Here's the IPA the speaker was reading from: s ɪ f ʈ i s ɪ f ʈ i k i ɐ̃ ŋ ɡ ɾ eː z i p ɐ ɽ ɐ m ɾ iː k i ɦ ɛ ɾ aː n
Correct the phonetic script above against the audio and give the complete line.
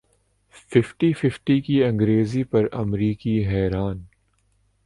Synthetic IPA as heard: f ɪ f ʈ i f ɪ f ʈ i k i ɐ̃ ŋ ɡ ɾ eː z i p ɐ ɾ ɐ m ɾ iː k i ɦ ɛː ɾ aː n